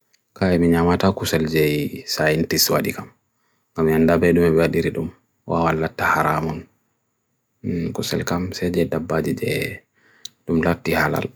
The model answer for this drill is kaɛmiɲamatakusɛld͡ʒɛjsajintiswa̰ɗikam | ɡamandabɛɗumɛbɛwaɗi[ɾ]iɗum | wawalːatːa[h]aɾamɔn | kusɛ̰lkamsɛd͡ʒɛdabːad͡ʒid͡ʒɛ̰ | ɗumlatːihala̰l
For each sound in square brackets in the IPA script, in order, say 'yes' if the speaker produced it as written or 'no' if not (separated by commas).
yes, yes